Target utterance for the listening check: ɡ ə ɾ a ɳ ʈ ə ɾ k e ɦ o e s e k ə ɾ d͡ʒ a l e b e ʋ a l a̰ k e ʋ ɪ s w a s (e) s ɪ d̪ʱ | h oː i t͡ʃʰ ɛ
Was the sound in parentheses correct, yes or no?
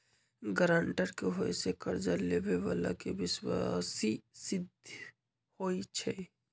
no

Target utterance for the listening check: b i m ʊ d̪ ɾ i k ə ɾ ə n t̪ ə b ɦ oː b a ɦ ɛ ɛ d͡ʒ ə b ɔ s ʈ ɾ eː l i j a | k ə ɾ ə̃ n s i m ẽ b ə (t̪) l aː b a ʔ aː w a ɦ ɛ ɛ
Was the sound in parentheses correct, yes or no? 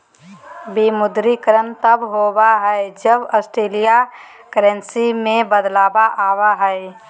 no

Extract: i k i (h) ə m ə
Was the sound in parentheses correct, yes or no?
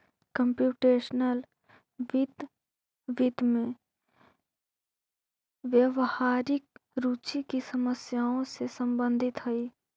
no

